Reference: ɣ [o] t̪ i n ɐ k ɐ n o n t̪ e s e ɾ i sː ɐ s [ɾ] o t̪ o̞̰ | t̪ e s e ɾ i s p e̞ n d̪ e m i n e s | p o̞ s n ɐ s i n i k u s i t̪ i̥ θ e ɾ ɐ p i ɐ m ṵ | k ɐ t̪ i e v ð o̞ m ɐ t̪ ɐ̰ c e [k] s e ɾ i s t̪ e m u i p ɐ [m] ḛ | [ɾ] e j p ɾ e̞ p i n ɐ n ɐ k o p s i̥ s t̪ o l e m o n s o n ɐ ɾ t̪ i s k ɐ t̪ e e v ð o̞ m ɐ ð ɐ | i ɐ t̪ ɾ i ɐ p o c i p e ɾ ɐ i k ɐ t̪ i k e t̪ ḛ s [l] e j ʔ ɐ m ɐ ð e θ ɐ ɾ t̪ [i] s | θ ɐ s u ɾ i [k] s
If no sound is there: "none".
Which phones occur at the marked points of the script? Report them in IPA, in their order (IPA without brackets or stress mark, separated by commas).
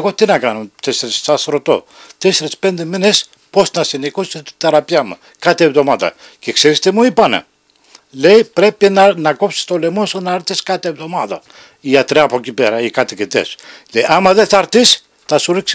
o, ɾ, k, n, l, l, i, k